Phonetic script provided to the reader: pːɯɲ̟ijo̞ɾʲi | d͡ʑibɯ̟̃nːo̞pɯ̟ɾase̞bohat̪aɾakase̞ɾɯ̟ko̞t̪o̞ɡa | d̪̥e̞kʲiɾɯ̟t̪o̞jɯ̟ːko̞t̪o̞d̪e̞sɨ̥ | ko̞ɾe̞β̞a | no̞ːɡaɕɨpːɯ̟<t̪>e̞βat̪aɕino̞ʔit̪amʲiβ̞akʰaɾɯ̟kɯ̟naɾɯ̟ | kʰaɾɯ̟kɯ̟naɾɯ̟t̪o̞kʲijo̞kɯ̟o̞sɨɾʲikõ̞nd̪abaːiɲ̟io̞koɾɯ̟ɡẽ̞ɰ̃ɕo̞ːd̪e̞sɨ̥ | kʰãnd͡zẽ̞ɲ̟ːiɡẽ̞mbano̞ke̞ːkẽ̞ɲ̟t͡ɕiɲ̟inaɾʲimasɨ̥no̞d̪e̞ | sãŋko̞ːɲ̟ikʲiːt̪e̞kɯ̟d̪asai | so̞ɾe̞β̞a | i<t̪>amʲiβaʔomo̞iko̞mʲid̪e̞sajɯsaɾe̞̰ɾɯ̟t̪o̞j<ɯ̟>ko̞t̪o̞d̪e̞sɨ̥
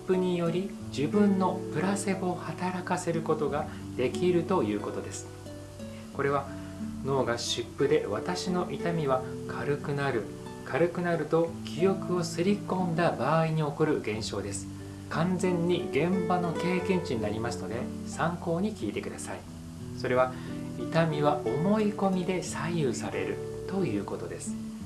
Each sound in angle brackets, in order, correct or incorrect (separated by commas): incorrect, correct, incorrect